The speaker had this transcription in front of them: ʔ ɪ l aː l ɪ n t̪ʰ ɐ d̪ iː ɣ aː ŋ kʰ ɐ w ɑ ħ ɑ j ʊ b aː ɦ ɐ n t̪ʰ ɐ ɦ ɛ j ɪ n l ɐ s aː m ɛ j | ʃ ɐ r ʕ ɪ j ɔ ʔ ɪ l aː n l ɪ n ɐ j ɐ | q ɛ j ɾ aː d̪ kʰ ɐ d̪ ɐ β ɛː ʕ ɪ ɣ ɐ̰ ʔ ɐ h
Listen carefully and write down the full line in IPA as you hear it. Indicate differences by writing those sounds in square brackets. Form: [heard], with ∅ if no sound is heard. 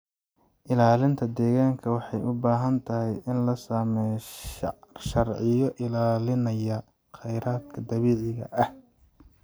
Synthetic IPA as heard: ʔ ɪ l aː l ɪ n t̪ʰ ɐ d̪ [ɛː] ɣ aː ŋ kʰ ɐ w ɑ ħ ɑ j ʊ b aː ɦ ɐ n t̪ʰ ɐ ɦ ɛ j ɪ n l ɐ s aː m ɛ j | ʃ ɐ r ʕ ɪ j ɔ ʔ ɪ l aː [∅] l ɪ n ɐ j ɐ | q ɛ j ɾ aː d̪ kʰ ɐ d̪ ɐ β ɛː ʕ ɪ ɣ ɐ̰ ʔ ɐ h